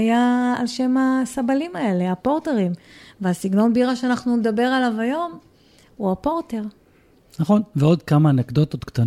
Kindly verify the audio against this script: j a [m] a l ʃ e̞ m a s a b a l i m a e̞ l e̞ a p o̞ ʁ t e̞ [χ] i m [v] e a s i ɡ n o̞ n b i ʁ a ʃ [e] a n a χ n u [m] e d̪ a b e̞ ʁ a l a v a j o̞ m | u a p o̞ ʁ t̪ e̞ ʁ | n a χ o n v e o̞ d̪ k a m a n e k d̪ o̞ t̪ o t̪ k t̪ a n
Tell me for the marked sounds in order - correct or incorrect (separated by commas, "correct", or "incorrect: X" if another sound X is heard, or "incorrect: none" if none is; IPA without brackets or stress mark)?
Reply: incorrect: none, incorrect: ʁ, correct, correct, incorrect: n